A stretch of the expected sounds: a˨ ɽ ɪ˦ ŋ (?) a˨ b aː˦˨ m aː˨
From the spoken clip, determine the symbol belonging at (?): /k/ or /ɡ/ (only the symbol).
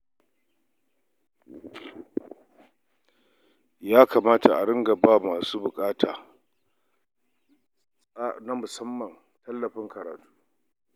ɡ